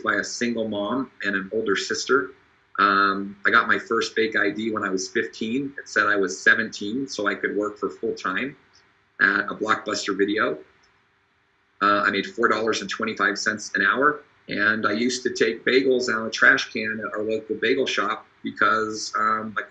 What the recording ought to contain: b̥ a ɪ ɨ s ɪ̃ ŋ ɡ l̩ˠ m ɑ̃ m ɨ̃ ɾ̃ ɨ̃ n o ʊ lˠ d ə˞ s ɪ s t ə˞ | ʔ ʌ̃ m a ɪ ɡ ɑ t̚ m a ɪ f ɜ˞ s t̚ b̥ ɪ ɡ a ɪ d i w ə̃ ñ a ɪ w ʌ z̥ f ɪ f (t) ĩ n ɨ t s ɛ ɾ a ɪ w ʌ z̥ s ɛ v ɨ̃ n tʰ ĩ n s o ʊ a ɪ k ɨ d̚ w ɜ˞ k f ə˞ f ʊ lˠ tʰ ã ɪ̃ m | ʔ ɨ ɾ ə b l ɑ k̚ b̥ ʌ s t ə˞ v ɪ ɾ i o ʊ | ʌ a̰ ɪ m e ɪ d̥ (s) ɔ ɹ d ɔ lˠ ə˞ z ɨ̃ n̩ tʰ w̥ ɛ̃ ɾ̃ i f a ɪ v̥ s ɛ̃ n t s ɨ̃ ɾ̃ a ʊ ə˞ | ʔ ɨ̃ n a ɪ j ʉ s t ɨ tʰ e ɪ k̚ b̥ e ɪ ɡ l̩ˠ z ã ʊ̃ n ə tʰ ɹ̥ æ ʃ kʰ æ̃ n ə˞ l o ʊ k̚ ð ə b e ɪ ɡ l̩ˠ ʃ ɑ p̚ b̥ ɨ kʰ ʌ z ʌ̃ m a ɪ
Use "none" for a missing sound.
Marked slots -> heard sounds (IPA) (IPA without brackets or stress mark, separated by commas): tʰ, f